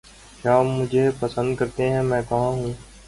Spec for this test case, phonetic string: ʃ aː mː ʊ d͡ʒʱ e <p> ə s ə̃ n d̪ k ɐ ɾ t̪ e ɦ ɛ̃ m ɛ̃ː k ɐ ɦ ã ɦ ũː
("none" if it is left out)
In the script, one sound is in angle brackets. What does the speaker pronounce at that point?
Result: p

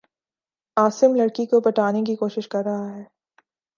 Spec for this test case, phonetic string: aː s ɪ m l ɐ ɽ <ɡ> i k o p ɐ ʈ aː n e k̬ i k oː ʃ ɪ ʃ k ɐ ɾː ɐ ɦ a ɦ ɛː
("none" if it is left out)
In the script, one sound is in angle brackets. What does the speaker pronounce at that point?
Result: k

